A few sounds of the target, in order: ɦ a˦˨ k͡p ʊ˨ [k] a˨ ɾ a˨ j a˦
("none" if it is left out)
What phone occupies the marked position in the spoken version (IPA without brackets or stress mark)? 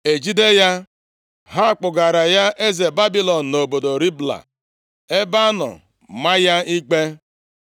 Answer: ɡ